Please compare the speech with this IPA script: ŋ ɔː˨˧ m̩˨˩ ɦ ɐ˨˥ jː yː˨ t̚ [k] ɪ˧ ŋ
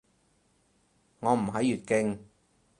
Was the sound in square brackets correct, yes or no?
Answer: yes